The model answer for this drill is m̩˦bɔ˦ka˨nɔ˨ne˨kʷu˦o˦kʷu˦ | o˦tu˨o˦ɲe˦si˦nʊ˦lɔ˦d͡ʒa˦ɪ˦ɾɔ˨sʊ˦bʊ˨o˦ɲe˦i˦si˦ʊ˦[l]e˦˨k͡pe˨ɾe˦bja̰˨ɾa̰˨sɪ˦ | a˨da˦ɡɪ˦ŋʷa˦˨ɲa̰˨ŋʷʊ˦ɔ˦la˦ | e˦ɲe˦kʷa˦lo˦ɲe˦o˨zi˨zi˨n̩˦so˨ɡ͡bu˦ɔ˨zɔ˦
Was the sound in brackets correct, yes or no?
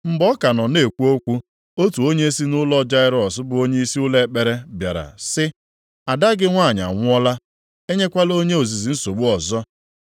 yes